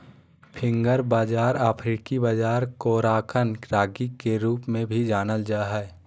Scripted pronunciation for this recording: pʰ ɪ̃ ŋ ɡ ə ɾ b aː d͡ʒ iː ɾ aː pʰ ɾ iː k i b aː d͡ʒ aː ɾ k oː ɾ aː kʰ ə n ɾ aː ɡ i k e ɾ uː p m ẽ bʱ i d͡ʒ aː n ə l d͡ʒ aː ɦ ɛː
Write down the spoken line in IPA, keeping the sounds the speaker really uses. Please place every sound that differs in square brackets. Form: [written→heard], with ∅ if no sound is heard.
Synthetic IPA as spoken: pʰ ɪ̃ ŋ ɡ ə ɾ b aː d͡ʒ [iː→aː] ɾ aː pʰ ɾ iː k i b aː d͡ʒ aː ɾ k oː ɾ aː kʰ ə n ɾ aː ɡ i k e ɾ uː p m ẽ bʱ i d͡ʒ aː n ə l d͡ʒ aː ɦ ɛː